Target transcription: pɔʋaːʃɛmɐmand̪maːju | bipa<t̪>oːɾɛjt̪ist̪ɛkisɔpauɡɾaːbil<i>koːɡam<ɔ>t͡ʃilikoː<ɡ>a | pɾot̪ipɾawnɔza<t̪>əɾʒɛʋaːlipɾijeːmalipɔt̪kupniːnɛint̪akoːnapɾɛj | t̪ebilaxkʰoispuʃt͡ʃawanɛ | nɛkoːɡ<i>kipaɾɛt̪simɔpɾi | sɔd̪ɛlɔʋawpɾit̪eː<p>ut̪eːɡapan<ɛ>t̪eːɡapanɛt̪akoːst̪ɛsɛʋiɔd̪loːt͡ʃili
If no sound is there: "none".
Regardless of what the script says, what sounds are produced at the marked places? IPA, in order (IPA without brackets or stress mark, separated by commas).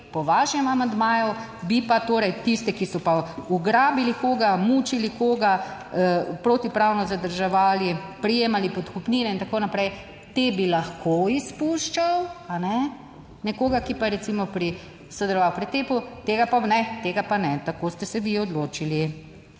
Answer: t̪, i, u, ɡ, d̪, a, p, ɛ